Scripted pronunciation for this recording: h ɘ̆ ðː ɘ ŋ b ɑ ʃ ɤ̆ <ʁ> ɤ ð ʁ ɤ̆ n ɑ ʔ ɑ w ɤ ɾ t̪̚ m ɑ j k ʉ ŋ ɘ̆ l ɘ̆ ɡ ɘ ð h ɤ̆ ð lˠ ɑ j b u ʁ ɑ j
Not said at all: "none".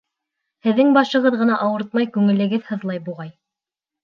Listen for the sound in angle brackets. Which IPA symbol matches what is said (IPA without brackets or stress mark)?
ʁ